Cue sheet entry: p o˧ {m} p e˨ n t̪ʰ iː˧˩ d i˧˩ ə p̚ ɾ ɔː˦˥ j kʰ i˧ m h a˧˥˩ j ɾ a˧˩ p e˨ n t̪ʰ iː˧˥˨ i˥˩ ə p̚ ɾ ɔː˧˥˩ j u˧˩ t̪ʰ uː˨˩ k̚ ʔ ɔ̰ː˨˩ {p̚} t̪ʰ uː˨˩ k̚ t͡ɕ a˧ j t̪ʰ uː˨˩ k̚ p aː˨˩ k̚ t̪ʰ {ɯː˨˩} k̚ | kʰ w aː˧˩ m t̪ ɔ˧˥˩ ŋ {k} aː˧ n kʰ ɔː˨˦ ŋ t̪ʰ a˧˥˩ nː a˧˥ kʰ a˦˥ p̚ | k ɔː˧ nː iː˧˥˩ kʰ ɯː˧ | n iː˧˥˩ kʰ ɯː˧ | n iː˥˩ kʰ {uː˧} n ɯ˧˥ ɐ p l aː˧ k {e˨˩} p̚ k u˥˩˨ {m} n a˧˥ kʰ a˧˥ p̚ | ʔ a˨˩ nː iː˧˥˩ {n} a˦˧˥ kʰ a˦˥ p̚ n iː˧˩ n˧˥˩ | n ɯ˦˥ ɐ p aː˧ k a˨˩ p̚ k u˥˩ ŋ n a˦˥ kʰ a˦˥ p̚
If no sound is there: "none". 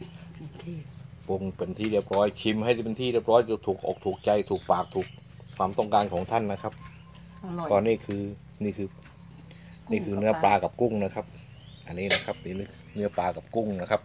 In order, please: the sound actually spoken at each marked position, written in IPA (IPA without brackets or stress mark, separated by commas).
ŋ, k̚, uː˨˩, k, ɯː˧, a˨˩, ŋ, n